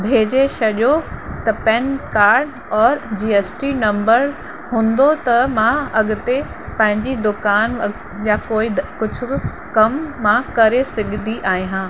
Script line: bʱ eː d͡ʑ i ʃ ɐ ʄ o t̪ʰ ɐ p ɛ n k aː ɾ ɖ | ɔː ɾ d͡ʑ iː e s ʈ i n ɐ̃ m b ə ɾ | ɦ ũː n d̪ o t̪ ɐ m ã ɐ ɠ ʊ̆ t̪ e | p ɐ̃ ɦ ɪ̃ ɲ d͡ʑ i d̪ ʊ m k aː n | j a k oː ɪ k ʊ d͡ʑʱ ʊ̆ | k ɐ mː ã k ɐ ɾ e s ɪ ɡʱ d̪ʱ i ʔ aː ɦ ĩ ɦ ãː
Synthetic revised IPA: bʱ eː d͡ʑ e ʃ ɐ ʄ o t̪ ɐ p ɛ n k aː ɾ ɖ | ɔː ɾ d͡ʑ iː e s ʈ i n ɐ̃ m b ə ɾ | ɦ ũː n d̪ o t̪ ɐ m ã ɐ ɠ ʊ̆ t̪ e | p ɐ̃ ɦ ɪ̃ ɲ d͡ʑ i d̪ ʊ k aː n | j a k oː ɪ k ʊ d͡ʑʱ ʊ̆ | k ɐ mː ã k ɐ ɾ e s ɪ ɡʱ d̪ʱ i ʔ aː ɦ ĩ ɦ ãː